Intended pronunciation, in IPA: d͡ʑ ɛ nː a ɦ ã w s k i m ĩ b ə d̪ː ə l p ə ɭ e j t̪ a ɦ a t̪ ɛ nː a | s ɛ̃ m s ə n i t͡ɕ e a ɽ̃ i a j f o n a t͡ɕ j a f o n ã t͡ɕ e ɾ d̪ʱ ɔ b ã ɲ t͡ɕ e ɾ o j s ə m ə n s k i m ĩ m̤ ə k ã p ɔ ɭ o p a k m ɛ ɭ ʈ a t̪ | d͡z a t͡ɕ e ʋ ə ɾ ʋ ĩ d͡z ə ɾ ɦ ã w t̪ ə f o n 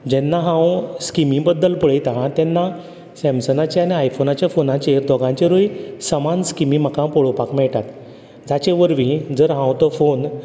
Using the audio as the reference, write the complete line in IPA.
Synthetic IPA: d͡ʑ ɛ nː a ɦ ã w s k i m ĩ b ə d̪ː ə l p ə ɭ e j t̪ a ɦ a t̪ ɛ nː a | s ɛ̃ m s ə n a t͡ɕ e a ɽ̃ i a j f o n a t͡ɕ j a f o n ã t͡ɕ e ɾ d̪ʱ ɔ ɡ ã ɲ t͡ɕ e ɾ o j s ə m a n s k i m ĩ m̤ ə k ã p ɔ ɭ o p a k m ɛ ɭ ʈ a t̪ | d͡z a t͡ɕ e ʋ ə ɾ ʋ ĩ d͡z ə ɾ ɦ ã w t̪ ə f o n

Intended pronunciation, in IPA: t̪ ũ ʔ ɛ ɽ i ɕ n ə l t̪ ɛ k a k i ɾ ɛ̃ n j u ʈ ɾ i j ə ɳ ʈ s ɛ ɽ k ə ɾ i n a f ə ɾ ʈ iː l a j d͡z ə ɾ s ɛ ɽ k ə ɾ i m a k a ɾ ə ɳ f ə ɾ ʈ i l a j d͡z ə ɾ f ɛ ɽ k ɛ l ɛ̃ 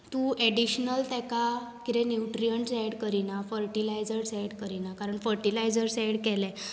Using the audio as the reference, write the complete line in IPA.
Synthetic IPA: t̪ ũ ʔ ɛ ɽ i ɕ n ə l t̪ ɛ k a k i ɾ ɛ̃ n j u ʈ ɾ i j ə ɳ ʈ s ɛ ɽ k ə ɾ i n a f ə ɾ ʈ i l a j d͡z ə ɾ s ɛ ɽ k ə ɾ i n a k a ɾ ə ɳ f ə ɾ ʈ i l a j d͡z ə ɾ s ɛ ɽ k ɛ l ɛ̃

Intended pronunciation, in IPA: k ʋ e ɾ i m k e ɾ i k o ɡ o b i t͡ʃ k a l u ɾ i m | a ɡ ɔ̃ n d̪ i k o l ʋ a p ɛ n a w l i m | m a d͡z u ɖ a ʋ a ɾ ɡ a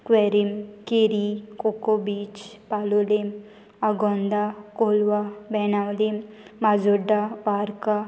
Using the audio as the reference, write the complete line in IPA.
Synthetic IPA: k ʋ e ɾ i m k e ɾ i k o k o b i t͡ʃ p a l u l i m | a ɡ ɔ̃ n d̪ a k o l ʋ a b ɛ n a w l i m | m a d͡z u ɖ a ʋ a ɾ k a

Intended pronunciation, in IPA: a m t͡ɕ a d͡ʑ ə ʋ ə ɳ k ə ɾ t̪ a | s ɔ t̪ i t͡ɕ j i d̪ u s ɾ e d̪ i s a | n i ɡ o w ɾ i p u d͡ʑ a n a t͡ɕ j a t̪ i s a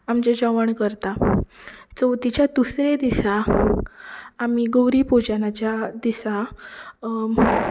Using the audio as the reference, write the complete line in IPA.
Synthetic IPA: a m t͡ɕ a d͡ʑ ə ʋ ə ɳ k ə ɾ t̪ a | t͡s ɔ t̪ i t͡ɕ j a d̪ u s ɾ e d̪ i s a | m i ɡ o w ɾ i p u d͡ʑ a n a t͡ɕ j a d̪ i s a

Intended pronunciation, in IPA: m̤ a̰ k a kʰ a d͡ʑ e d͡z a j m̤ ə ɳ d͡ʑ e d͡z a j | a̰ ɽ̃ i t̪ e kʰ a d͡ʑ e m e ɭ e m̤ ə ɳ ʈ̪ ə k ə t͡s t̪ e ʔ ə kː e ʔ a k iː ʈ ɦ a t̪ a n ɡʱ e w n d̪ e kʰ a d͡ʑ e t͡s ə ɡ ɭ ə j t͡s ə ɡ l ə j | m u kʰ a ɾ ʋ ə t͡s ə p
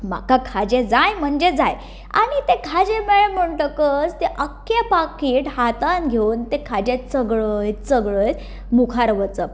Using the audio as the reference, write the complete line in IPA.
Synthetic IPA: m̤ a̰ k a kʰ a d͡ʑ e d͡z a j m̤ ə ɳ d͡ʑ e d͡z a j | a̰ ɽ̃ i t̪ e kʰ a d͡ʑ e m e ɭ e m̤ ə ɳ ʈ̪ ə k ə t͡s t̪ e ʔ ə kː e p a k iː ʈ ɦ a t̪ a n ɡʱ e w n t̪ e kʰ a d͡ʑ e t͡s ə ɡ ɭ ə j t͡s ə ɡ ɭ ə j | m u kʰ a ɾ ʋ ə t͡s ə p

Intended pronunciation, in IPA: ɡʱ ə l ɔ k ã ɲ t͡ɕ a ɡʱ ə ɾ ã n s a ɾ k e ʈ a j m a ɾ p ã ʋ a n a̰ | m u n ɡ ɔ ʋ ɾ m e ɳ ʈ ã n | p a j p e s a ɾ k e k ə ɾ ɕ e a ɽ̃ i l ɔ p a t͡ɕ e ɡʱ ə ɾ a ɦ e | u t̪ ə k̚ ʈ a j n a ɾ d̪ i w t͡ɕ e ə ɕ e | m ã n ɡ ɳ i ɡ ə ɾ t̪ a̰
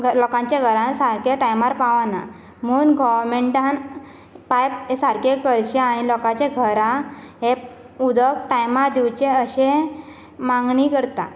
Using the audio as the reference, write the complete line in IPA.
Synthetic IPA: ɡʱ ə l ɔ k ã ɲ t͡ɕ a ɡʱ ə ɾ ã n s a ɾ k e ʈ a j m a ɾ p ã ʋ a n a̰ | m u n ɡ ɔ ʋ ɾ m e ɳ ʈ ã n | p a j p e s a ɾ k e k ə ɾ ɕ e a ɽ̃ i l ɔ k a t͡ɕ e ɡʱ ə ɾ a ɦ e | u d̪ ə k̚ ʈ a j m a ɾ d̪ i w t͡ɕ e ə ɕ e | m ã ŋ ɡ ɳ i k ə ɾ t̪ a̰

